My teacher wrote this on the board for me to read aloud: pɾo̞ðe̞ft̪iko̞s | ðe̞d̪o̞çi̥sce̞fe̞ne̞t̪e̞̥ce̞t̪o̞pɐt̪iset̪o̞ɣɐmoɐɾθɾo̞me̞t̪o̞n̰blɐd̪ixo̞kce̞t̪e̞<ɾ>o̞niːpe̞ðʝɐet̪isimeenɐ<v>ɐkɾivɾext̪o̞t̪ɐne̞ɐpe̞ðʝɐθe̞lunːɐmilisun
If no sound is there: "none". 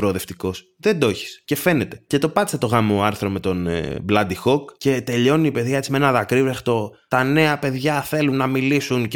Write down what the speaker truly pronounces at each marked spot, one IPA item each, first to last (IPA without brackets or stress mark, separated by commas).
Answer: ʎ, ð